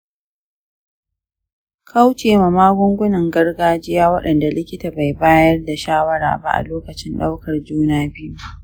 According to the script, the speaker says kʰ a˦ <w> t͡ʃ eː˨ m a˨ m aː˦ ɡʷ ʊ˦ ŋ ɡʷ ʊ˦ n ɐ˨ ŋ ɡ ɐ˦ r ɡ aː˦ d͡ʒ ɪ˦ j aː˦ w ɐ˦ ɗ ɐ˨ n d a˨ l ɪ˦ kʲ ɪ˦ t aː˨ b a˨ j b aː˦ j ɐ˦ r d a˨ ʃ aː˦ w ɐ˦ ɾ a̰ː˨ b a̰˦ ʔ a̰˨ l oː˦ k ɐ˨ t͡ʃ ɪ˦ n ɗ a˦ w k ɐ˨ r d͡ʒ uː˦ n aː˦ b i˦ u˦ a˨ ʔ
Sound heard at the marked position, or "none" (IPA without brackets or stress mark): w